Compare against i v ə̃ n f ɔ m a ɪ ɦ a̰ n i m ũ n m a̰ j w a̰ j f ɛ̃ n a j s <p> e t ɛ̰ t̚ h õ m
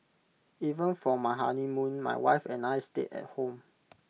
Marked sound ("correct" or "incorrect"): incorrect